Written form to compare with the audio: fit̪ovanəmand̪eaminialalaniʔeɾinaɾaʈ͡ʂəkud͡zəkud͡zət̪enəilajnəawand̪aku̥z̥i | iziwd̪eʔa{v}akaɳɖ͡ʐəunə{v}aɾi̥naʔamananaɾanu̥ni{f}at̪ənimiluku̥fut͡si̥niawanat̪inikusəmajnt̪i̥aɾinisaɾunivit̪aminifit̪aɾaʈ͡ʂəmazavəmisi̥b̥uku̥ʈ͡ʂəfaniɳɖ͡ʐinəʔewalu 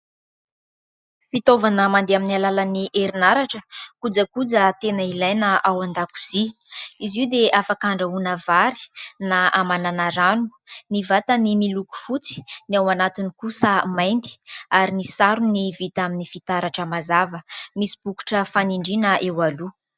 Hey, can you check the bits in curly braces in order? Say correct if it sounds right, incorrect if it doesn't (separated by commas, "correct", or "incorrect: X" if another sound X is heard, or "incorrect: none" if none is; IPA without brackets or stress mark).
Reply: incorrect: f, correct, incorrect: v